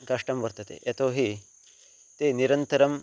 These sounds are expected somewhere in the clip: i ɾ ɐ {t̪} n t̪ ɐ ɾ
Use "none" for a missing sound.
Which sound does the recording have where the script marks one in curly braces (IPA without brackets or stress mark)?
none